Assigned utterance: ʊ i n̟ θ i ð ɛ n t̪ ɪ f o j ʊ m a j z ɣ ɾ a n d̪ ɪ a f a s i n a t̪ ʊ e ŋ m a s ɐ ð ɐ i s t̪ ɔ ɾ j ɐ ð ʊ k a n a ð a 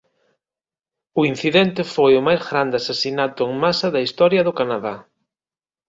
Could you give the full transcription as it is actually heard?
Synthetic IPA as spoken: ʊ i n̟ θ i ð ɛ n t̪ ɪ f o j ʊ m a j z ɣ ɾ a n d̪ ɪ a s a s i n a t̪ ʊ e ŋ m a s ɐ ð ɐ i s t̪ ɔ ɾ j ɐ ð ʊ k a n a ð a